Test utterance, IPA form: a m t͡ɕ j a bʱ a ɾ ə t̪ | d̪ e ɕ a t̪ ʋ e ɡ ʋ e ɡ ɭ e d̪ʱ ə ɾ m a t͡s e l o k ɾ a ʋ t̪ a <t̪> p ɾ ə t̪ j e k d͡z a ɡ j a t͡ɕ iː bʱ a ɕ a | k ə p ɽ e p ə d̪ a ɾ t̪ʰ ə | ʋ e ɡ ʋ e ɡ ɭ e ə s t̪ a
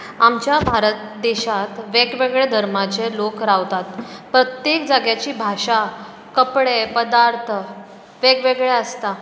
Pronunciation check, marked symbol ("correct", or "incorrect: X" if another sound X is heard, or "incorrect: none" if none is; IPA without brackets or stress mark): correct